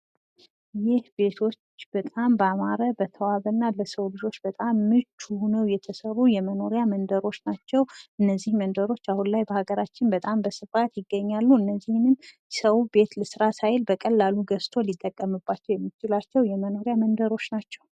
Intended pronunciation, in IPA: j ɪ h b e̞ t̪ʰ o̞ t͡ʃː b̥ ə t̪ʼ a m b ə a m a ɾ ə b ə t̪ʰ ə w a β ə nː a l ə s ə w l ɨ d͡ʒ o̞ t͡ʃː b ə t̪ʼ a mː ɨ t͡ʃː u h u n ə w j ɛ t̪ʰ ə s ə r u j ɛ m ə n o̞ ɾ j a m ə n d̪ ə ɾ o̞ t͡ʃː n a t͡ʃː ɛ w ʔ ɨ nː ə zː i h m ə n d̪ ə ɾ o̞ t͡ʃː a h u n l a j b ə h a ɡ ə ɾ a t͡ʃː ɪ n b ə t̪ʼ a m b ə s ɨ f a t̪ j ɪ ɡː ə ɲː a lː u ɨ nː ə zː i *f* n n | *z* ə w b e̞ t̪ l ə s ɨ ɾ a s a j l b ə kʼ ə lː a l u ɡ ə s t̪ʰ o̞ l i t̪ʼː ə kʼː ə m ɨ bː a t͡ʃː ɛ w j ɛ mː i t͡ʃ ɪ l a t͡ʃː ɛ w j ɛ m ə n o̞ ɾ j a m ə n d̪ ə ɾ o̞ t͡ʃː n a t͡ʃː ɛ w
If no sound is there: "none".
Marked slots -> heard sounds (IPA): h, s

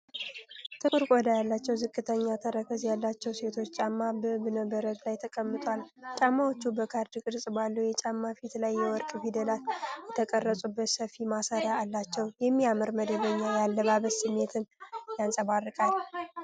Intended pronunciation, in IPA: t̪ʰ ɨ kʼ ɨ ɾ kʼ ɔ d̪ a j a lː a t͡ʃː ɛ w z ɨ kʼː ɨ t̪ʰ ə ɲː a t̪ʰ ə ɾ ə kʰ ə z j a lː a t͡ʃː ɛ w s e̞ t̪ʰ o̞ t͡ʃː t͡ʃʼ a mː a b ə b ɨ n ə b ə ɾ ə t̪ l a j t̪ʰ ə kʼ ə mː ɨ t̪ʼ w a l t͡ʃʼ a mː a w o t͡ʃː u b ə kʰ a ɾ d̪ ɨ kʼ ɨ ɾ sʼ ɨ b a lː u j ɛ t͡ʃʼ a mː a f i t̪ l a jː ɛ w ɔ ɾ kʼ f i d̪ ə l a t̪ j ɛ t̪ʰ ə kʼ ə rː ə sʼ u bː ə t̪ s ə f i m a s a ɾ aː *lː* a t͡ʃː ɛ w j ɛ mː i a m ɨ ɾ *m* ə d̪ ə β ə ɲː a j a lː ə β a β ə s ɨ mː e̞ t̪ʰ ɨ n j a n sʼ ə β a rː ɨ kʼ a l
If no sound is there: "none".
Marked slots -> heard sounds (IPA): lː, m

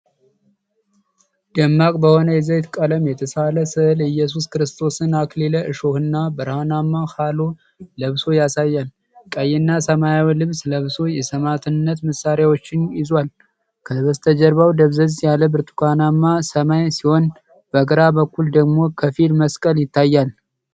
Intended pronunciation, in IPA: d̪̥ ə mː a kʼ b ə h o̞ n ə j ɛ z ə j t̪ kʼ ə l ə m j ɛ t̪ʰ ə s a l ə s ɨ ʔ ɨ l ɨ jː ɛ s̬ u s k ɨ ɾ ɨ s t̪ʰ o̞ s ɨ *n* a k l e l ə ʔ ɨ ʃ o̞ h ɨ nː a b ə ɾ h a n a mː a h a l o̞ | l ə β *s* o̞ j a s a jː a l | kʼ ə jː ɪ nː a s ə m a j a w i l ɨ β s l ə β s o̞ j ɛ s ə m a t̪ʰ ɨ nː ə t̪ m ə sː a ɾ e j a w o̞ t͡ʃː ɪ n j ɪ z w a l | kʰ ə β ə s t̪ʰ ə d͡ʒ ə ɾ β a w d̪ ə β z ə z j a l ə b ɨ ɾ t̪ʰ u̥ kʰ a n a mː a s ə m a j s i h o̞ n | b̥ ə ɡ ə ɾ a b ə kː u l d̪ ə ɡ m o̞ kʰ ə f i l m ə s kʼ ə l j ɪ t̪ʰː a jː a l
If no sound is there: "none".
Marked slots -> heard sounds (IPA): n, s

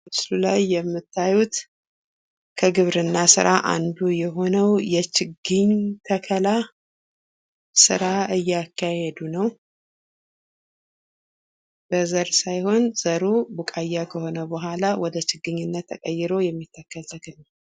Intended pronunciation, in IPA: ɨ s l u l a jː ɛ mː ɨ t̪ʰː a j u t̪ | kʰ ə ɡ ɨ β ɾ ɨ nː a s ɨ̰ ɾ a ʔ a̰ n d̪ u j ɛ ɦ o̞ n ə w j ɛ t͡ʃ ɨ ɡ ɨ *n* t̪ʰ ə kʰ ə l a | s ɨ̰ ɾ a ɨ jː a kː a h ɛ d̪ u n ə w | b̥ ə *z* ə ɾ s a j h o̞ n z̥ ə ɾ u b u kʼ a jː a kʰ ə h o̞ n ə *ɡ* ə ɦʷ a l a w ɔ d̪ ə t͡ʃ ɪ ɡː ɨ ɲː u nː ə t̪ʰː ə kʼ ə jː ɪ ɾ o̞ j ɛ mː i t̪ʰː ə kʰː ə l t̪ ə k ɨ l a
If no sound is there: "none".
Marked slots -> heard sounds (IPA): ɲ, z, b

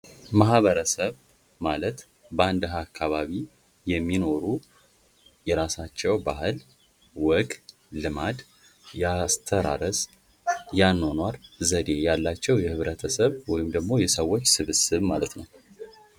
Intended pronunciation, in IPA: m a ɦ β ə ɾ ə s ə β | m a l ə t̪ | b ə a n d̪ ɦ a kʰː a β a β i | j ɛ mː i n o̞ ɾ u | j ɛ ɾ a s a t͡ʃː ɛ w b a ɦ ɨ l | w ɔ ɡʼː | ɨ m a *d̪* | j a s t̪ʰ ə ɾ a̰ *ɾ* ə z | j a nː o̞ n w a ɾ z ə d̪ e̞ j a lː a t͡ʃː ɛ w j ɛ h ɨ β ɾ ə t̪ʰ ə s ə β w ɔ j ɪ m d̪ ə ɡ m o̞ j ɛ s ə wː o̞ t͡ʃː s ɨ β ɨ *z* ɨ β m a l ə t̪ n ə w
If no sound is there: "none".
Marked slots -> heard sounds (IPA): d̪, ɾ, s

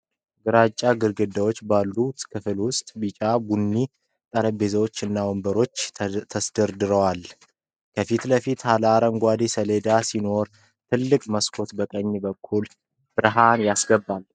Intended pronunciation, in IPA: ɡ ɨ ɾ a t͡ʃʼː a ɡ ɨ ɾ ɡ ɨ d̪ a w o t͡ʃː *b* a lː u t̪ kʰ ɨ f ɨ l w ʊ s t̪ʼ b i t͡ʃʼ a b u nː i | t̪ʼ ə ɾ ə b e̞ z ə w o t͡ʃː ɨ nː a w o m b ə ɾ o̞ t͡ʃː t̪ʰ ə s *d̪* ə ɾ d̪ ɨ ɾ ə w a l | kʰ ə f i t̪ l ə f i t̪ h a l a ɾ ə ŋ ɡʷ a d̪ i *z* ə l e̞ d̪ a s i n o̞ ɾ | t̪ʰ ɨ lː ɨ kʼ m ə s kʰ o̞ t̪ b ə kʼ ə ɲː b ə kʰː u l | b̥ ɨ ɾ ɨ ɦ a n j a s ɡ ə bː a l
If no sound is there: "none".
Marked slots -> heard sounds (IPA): b, d̪, s

